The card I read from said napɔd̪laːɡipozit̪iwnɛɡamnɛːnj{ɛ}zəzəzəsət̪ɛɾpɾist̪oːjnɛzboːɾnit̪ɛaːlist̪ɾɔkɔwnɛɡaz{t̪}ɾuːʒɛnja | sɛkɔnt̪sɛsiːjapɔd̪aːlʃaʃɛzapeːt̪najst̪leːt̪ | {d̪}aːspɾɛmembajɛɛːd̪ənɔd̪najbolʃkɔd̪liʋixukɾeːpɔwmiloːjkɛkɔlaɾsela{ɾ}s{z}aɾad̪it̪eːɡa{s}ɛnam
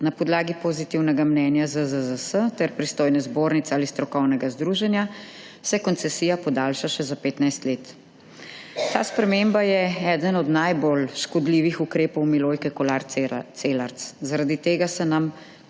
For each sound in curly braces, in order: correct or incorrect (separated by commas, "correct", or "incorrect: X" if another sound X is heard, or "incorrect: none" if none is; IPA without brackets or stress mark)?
incorrect: a, incorrect: d̪, incorrect: t̪, correct, correct, correct